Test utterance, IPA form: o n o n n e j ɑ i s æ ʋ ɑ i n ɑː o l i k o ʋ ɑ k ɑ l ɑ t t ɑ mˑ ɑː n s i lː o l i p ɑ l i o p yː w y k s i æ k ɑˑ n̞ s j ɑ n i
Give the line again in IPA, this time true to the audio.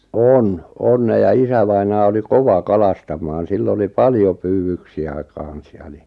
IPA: o n o n n e j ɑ i s æ ʋ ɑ i n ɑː o l i k o ʋ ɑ k ɑ l ɑ s t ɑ mˑ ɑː n s i lː o l i p ɑ l j o p yː w y k s i æ k ɑˑ n̞ s j ɑ n i